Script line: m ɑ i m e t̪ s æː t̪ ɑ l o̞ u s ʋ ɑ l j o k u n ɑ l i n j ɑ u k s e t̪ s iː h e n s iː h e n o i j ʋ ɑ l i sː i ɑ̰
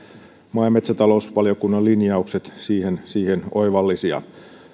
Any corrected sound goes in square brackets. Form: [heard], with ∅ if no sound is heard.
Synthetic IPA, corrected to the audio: m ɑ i m e t̪ s [æ] t̪ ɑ l o̞ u s ʋ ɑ l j o k u [nː] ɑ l i n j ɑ u k s e t̪ s iː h e n s iː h e n o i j ʋ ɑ [lː] i [s] i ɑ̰